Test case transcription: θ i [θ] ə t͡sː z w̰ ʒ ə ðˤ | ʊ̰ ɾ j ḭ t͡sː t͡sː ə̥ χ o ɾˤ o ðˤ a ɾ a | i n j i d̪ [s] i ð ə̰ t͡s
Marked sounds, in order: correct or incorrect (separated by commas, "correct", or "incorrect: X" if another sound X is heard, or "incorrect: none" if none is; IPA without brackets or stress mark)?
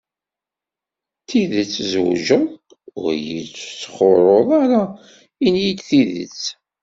incorrect: ð, incorrect: θ